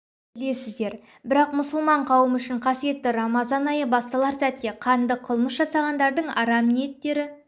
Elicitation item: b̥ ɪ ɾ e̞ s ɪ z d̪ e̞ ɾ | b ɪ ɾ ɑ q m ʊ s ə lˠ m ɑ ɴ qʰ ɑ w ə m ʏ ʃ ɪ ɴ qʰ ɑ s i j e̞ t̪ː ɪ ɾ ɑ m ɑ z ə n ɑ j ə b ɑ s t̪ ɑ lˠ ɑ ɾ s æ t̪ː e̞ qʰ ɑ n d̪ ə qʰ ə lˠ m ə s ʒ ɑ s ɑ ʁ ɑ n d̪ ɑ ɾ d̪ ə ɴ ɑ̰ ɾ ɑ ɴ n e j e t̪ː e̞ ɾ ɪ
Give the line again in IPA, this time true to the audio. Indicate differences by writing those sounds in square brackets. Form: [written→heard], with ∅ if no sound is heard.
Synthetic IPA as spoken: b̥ ɪ [ɾ→l] e̞ s ɪ z d̪ e̞ ɾ | b ɪ ɾ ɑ q m ʊ s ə lˠ m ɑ ɴ qʰ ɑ w ə m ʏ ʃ ɪ ɴ qʰ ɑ s i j e̞ t̪ː ɪ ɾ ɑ m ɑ z [ə→ɑ] n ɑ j ə b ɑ s t̪ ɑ lˠ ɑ ɾ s æ t̪ː e̞ qʰ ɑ n d̪ ə qʰ ə lˠ m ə s ʒ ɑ s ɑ ʁ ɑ n d̪ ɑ ɾ d̪ ə ɴ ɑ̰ ɾ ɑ [ɴ→m] n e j e t̪ː e̞ ɾ ɪ